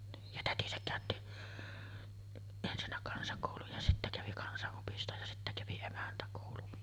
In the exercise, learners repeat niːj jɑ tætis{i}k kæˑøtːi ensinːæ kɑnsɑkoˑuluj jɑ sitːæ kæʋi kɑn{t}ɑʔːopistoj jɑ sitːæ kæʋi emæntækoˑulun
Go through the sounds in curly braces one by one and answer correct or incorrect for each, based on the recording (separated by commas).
incorrect, incorrect